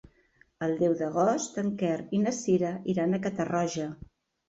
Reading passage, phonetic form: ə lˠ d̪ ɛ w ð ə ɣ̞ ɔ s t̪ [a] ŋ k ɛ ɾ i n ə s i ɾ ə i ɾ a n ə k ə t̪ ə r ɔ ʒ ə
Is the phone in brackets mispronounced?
yes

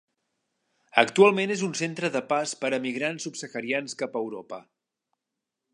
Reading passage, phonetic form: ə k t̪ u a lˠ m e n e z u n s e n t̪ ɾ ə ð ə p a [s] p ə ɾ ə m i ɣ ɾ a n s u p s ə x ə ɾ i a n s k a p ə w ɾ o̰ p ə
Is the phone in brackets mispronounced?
no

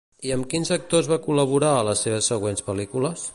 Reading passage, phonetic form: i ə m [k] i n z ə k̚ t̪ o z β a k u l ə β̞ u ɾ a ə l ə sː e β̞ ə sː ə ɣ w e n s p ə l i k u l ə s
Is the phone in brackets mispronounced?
no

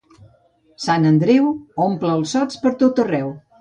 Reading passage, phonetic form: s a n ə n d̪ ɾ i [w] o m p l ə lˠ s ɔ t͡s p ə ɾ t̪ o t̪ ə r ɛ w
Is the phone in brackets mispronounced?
no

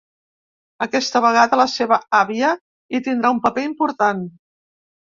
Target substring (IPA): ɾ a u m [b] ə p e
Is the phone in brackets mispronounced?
yes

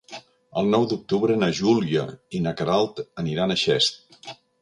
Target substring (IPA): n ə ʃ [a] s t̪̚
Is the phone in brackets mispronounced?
yes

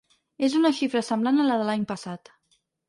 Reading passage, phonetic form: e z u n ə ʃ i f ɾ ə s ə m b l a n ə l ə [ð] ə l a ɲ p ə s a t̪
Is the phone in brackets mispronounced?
no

